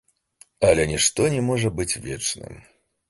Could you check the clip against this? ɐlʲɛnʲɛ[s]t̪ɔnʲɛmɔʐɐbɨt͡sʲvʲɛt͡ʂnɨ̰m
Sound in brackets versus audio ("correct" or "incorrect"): incorrect